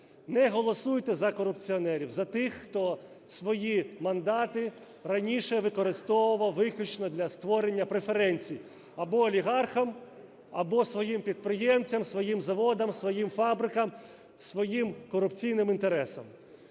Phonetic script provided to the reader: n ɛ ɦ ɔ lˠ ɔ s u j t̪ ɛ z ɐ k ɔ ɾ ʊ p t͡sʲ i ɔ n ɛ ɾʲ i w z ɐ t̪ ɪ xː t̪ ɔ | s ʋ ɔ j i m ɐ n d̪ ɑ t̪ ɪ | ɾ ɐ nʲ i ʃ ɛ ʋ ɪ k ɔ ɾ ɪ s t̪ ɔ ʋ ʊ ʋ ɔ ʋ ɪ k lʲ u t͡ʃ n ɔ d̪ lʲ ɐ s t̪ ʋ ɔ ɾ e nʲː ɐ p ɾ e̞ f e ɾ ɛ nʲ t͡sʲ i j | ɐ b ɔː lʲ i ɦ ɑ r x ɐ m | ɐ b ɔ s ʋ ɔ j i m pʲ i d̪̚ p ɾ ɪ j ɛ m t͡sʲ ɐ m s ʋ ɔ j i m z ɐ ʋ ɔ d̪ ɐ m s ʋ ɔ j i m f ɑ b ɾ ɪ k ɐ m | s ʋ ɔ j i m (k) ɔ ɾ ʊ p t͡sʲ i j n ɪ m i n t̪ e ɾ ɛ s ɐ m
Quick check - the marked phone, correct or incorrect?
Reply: correct